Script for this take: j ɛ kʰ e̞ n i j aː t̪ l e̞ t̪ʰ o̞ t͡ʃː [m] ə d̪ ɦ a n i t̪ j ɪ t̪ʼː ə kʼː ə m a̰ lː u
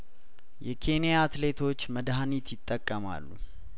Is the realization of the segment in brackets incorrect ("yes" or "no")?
no